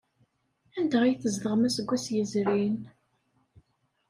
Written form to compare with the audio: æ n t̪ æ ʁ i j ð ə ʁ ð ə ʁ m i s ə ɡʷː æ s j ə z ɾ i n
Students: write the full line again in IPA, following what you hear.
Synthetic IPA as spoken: æ n d̪ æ ʁ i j θ ə z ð ə ʁ m æ s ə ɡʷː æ s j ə z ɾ i n